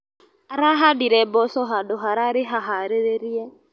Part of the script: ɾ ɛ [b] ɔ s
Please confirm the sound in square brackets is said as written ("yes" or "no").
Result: yes